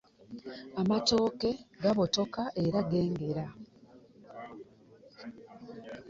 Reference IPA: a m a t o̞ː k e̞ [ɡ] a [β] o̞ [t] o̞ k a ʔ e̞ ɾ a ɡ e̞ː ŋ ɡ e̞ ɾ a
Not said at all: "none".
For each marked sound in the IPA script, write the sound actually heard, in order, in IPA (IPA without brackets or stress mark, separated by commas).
ɡ, β, t